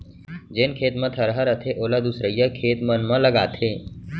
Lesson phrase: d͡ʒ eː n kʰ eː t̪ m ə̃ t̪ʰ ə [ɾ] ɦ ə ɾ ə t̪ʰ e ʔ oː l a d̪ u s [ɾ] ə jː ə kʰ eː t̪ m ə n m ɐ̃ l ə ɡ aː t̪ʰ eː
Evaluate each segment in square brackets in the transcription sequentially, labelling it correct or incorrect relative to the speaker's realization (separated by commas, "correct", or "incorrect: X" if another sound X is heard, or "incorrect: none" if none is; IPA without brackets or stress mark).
correct, correct